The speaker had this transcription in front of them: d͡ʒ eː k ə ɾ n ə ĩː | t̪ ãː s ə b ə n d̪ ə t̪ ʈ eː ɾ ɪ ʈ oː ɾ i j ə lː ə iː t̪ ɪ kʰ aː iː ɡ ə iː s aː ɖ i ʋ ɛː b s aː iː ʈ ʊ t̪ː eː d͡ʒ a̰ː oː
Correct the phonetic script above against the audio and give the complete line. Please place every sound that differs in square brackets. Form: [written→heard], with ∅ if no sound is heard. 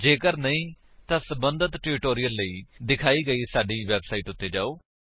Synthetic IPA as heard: d͡ʒ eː k ə ɾ n ə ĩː | t̪ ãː s ə b ə n d̪ ə t̪ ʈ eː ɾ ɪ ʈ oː ɾ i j ə lː ə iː [t̪→d̪] ɪ kʰ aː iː ɡ ə iː s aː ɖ [i→iː] ʋ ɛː b s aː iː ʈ ʊ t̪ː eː d͡ʒ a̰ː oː